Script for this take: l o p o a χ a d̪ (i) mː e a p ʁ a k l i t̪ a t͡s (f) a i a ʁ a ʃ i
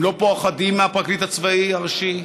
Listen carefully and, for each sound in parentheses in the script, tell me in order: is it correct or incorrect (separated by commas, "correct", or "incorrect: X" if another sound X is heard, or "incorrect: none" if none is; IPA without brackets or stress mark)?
correct, incorrect: v